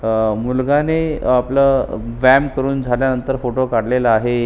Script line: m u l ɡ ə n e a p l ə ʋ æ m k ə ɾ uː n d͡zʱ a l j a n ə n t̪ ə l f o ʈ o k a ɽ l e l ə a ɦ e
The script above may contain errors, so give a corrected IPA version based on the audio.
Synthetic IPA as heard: m u l ɡ a n e a p l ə ʋ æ m k ə ɾ uː n d͡zʱ a l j a n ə n t̪ ə ɾ f o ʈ o k a ɽ l e l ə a ɦ e